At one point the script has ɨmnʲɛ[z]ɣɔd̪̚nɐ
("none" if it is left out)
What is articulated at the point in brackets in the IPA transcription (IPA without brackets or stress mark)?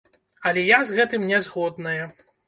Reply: z